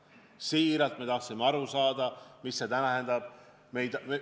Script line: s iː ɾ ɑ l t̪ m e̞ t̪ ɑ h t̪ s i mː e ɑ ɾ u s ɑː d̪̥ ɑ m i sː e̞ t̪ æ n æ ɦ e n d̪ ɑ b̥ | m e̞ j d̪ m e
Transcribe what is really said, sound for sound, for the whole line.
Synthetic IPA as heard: s iː ɾ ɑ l t̪ m e̞ t̪ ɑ h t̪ s i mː e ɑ ɾ u s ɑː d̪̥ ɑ m i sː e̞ t̪ æ n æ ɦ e n d̪ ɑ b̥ | m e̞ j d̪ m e